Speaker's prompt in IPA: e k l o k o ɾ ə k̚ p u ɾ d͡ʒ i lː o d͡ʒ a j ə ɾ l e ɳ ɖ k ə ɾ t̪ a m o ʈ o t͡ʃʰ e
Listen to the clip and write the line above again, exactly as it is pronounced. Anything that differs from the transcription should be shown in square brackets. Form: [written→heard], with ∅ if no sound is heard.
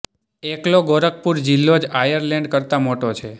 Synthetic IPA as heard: e k l o [k→ɡ] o ɾ ə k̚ p u ɾ d͡ʒ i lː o d͡ʒ a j ə ɾ l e ɳ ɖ k ə ɾ t̪ a m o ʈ o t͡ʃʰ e